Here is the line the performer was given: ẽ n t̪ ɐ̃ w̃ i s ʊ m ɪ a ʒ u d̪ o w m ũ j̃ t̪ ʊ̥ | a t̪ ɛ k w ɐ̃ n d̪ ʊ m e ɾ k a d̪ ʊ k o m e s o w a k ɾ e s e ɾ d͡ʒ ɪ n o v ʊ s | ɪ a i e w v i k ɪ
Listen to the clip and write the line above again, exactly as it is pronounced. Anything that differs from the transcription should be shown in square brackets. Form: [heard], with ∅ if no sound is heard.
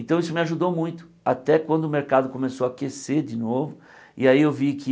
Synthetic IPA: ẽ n t̪ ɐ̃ w̃ i s ʊ m ɪ a ʒ u d̪ o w m ũ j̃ t̪ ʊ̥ | a t̪ ɛ k w ɐ̃ n d̪ ʊ m e ɾ k a d̪ ʊ k o m e s o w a k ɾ e s e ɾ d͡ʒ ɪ n o v ʊ [∅] | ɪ a i e w v i k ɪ